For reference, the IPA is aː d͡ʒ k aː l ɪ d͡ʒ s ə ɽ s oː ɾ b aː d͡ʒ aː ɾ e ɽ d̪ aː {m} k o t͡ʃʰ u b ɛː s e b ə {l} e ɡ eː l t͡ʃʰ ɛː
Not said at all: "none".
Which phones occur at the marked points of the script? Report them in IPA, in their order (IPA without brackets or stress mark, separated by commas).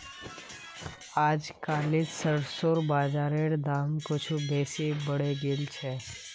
m, ɽ